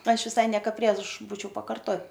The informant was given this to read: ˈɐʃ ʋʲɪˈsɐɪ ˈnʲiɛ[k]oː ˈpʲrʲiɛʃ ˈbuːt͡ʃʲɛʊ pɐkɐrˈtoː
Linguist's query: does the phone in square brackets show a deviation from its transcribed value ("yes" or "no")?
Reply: no